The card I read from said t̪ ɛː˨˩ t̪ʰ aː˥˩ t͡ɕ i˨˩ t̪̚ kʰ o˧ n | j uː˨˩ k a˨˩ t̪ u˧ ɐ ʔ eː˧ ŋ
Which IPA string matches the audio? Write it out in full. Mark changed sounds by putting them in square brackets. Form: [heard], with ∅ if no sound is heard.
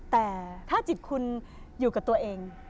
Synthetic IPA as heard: t̪ ɛː˨˩ t̪ʰ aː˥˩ t͡ɕ i˨˩ t̪̚ kʰ [u˧] n | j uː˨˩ k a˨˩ t̪ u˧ ɐ ʔ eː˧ ŋ